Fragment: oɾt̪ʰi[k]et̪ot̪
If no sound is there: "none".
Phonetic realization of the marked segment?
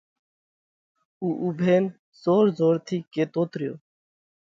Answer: k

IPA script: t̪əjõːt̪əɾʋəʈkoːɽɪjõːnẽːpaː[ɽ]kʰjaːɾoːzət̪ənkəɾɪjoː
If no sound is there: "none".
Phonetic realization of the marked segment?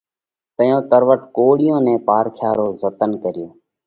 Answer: ɾ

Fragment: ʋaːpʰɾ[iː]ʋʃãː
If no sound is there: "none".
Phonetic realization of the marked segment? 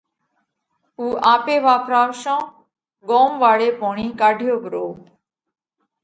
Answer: aː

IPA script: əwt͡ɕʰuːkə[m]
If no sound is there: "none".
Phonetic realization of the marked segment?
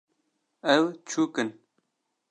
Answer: n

